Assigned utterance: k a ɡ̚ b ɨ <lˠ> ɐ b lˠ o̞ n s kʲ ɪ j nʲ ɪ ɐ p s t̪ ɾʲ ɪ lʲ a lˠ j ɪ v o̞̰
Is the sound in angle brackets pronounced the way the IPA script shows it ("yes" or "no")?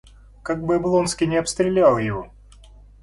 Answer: no